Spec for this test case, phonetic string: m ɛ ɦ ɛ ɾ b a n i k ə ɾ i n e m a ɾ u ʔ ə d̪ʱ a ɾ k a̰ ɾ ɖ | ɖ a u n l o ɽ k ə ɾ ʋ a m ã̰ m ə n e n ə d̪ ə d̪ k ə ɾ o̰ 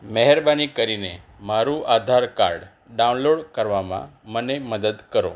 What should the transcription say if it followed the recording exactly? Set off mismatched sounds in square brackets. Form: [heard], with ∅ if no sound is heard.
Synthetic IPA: m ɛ ɦ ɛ ɾ b a n i k ə ɾ i n e m a ɾ u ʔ [a] d̪ʱ a ɾ k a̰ ɾ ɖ | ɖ a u n l o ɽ k ə ɾ ʋ a m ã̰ m ə n e [m] ə d̪ ə d̪ k ə ɾ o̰